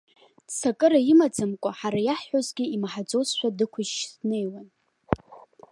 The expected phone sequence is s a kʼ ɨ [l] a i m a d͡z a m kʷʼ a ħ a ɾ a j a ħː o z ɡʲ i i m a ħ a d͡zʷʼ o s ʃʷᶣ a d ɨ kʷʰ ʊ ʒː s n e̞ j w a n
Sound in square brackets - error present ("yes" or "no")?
yes